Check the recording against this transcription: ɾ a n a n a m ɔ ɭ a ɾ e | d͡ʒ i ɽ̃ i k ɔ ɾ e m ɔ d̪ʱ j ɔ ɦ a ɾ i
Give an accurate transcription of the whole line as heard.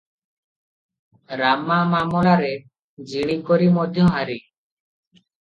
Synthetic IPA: ɾ a m a m a m ɔ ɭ a ɾ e | d͡ʒ i ɽ̃ i k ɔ ɾ i m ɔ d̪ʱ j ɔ ɦ a ɾ i